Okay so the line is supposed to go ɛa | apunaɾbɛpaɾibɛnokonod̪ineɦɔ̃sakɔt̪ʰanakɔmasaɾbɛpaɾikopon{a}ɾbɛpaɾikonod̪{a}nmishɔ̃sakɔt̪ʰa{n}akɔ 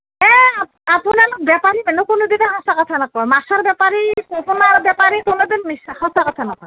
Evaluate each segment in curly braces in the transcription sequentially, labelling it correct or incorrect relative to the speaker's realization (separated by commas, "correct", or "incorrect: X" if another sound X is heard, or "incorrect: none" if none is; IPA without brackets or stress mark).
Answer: correct, incorrect: i, correct